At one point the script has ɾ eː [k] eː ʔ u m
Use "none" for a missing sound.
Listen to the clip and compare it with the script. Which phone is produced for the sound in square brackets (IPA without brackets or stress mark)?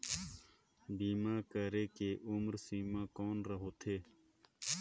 k